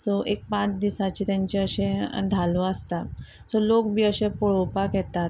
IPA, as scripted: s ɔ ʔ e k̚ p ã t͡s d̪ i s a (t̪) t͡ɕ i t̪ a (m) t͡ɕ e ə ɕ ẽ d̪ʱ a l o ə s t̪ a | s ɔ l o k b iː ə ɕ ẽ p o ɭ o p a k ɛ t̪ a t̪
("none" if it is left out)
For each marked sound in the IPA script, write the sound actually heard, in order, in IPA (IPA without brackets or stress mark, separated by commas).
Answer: none, ɲ